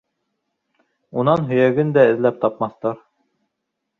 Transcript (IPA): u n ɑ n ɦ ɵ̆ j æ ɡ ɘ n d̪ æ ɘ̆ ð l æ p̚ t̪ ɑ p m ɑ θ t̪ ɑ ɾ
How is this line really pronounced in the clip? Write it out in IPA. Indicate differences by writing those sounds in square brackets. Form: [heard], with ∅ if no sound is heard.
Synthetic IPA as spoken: u n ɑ n ɦ ɵ̆ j æ ɡ ɘ n d̪ æ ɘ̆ ð l æ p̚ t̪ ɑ p m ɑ θ t̪ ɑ ɾ